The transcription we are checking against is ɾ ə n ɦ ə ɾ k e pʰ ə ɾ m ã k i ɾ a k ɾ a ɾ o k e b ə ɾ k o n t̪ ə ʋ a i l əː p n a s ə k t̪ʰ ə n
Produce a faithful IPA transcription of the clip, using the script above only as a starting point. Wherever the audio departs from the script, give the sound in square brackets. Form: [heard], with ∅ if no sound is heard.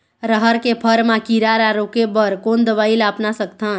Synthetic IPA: ɾ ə [∅] ɦ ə ɾ k e pʰ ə ɾ m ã k i ɾ a [∅] ɾ a ɾ o k e b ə ɾ k o n [d̪] ə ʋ a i l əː p n a s ə k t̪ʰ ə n